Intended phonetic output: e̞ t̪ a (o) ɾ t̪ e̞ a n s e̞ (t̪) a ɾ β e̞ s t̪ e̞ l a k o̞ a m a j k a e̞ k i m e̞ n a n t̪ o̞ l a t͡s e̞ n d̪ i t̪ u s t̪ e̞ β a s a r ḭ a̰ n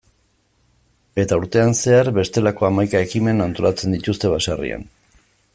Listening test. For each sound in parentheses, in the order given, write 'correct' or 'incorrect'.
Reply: incorrect, incorrect

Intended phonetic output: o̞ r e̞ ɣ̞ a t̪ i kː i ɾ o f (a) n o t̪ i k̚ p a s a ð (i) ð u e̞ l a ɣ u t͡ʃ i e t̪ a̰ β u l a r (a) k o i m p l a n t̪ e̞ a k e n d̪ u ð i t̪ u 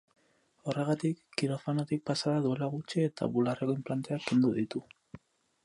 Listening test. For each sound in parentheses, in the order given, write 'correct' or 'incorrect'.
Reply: correct, incorrect, incorrect

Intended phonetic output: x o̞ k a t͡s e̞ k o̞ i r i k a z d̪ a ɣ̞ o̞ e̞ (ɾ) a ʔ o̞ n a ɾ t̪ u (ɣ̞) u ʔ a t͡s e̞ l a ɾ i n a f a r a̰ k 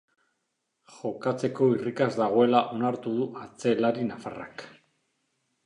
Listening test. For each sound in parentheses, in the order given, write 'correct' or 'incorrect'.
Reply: incorrect, incorrect

